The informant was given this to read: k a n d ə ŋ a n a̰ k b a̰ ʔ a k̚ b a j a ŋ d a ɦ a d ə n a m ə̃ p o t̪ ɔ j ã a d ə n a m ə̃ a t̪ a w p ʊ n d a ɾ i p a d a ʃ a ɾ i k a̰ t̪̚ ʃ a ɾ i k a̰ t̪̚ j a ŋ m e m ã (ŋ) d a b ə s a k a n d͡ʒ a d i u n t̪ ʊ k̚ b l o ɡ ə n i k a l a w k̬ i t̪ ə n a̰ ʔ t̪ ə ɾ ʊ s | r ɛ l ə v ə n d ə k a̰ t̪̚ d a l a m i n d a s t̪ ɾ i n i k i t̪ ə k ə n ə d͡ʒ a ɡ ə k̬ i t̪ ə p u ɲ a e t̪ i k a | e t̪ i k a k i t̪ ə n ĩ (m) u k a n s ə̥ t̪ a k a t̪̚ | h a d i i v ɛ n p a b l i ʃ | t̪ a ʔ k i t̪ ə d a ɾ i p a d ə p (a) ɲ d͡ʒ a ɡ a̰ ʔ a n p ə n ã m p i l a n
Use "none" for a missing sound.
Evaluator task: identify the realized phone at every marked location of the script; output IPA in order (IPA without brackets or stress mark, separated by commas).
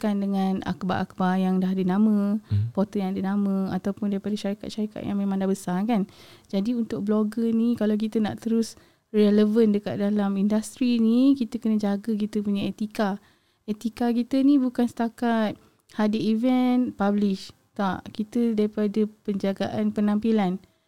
ŋ, b, ə